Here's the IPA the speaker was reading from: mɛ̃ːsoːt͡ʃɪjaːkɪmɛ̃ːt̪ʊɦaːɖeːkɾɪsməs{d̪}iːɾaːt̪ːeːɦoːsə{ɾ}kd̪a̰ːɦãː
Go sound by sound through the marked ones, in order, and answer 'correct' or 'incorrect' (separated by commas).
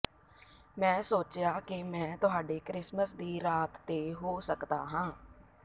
correct, incorrect